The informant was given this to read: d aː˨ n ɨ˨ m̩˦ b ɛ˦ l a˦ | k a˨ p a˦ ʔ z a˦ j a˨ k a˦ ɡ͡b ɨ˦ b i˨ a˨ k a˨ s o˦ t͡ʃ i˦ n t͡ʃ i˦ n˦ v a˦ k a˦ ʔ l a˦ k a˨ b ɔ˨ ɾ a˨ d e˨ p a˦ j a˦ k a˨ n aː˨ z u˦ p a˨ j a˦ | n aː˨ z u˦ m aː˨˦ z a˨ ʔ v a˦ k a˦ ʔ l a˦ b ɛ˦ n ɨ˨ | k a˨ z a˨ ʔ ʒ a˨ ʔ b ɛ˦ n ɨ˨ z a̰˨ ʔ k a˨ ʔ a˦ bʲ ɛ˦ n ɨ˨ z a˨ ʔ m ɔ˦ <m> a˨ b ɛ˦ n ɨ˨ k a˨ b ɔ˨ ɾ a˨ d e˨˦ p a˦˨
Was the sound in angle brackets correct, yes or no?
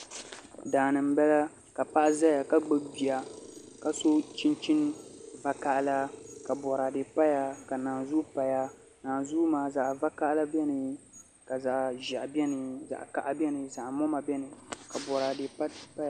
yes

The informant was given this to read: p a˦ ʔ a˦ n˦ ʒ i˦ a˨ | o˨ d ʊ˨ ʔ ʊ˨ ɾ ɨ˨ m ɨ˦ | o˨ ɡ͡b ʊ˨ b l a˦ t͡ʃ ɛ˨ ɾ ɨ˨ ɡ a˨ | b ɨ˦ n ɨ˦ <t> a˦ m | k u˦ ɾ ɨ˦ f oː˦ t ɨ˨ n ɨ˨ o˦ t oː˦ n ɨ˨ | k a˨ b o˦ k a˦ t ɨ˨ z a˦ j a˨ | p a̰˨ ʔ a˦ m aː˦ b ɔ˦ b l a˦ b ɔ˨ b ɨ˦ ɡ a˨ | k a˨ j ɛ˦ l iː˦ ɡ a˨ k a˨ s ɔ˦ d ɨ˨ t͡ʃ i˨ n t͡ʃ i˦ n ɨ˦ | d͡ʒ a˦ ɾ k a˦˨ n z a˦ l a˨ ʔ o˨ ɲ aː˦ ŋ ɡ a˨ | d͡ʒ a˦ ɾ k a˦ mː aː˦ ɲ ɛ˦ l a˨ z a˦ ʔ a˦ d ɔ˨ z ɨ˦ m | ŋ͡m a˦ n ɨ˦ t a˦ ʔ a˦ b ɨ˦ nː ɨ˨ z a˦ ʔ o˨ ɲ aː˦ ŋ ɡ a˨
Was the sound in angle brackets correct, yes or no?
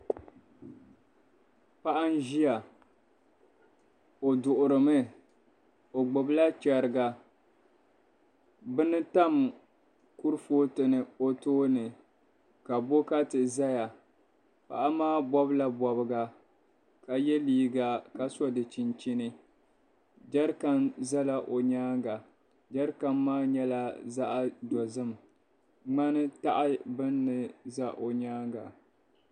yes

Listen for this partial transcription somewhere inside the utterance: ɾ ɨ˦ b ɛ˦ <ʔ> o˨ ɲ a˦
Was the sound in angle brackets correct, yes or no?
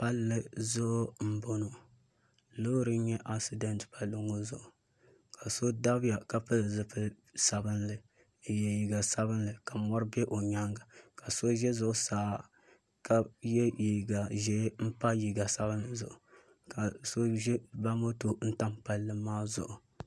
yes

